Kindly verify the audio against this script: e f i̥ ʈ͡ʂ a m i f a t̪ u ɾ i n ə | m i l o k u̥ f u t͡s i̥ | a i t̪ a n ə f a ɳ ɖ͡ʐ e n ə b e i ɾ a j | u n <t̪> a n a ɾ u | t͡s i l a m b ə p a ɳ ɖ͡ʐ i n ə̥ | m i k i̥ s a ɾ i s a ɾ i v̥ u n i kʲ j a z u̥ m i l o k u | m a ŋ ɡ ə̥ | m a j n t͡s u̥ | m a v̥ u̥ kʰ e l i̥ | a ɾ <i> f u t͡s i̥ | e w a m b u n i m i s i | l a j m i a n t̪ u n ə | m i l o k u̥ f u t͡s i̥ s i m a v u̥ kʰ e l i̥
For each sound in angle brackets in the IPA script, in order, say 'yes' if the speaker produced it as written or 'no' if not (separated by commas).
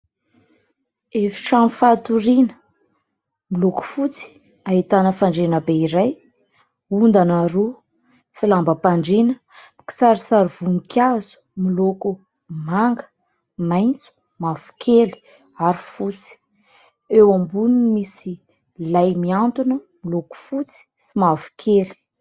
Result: no, yes